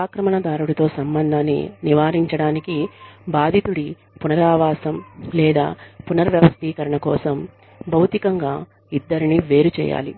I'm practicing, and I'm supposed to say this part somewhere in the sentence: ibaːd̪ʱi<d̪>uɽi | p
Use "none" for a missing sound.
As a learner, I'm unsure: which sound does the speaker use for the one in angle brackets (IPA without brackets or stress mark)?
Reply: t̪